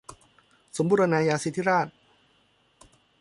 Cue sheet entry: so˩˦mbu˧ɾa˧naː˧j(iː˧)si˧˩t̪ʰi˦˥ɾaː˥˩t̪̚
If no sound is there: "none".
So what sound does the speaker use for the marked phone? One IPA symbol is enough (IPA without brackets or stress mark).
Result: aː˧